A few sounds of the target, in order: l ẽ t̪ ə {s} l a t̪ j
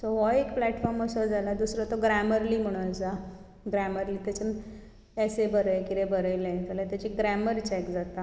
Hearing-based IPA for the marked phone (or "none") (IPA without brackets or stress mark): none